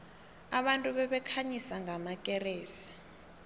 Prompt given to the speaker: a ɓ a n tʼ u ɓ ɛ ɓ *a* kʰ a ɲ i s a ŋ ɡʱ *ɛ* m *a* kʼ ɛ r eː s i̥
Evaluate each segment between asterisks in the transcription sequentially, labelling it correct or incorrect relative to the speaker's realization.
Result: incorrect, incorrect, correct

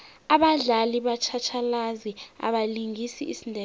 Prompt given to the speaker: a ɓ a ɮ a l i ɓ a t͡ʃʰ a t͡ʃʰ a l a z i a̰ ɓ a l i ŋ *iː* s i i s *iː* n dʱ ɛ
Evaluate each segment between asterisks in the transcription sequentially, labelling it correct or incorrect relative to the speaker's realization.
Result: incorrect, incorrect

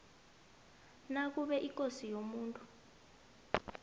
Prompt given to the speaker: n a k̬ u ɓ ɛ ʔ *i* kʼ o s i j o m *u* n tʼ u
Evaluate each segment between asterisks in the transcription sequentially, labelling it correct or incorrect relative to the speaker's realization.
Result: correct, incorrect

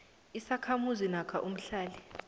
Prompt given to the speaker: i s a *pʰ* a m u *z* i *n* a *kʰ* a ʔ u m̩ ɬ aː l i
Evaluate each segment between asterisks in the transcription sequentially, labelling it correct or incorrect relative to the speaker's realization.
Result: incorrect, correct, correct, correct

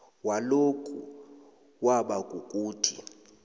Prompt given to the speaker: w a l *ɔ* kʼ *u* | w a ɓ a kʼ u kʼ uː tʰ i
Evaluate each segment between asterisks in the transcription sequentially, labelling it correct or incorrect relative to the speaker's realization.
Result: incorrect, correct

